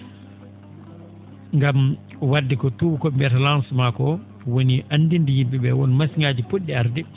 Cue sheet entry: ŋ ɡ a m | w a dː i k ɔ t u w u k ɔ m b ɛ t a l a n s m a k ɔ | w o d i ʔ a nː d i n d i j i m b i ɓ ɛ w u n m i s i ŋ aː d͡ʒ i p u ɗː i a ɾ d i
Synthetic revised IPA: ŋ ɡ a m | w a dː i k ɔ t u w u k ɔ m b ɛ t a l a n s m a k ɔ | w o n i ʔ a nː d i n d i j i m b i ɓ ɛ w ɔ n m a s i ŋ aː d͡ʒ i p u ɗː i a ɾ d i